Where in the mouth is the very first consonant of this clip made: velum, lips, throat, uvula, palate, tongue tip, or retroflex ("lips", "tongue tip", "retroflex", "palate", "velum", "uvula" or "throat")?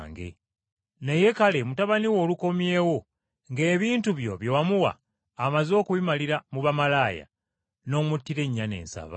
velum